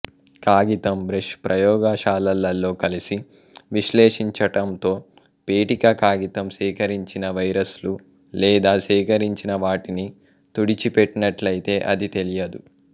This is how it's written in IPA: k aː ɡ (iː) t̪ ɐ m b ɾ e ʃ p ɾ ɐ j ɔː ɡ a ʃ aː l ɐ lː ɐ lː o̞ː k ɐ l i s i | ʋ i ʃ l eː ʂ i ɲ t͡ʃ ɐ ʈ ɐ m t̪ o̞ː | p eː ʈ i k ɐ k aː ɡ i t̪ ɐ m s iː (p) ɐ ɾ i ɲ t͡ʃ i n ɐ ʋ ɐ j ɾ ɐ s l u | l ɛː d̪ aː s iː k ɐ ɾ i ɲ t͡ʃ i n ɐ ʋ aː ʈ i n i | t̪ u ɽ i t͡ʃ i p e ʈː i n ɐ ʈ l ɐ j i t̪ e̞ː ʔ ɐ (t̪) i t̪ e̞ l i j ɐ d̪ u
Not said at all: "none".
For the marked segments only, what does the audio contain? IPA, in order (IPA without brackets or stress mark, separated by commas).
i, k, d̪